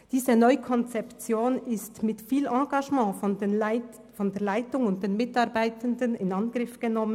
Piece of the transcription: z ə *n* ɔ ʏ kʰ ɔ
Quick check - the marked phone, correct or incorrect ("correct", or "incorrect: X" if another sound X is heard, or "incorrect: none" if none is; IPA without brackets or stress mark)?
correct